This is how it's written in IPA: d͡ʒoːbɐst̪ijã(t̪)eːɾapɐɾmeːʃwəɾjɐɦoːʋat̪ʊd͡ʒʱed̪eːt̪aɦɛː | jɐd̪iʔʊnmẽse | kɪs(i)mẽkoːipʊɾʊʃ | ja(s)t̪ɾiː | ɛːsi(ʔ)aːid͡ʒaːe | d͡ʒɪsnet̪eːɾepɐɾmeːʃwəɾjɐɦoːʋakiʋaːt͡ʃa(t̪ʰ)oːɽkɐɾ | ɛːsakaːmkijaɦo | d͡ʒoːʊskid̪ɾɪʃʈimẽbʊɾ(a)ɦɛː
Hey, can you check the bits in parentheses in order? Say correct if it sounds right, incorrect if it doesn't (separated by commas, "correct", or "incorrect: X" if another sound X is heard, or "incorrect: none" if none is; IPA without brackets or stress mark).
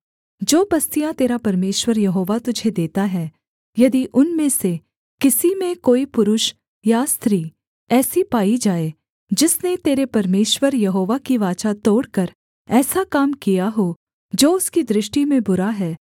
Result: correct, correct, correct, incorrect: p, incorrect: t̪, correct